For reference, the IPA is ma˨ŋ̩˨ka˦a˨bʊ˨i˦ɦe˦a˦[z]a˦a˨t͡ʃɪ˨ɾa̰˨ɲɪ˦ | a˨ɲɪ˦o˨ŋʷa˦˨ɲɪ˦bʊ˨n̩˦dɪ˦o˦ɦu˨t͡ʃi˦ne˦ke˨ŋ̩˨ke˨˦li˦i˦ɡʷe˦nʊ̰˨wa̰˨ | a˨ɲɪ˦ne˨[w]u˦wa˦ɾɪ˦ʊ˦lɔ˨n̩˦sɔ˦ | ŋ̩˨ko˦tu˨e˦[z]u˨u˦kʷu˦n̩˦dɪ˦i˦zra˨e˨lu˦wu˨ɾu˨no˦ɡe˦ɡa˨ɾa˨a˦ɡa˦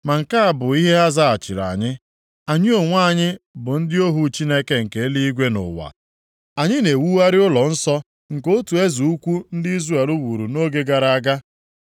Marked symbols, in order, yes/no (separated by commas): yes, yes, yes